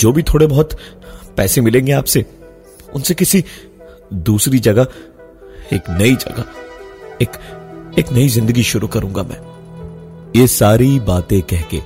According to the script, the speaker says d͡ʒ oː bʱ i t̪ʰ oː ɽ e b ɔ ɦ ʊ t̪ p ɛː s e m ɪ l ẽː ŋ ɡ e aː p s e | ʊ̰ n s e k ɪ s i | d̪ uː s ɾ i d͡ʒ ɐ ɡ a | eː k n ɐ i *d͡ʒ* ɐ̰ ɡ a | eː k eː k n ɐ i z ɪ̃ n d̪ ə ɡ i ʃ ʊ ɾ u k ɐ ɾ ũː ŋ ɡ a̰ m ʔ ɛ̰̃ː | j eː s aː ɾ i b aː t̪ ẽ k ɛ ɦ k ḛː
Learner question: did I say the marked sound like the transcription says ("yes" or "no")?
yes